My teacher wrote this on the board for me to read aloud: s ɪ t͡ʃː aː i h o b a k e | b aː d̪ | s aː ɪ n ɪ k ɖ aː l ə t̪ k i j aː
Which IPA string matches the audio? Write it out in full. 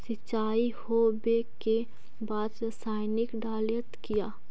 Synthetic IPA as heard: s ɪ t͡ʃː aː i h o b e k e | b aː d̪ | s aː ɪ n ɪ k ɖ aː l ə t̪ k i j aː